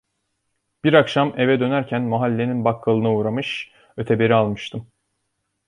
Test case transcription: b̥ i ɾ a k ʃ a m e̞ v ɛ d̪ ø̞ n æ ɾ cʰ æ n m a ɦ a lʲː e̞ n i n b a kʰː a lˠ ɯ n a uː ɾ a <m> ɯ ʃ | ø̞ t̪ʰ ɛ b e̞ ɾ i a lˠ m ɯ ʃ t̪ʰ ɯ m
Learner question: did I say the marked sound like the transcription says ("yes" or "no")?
yes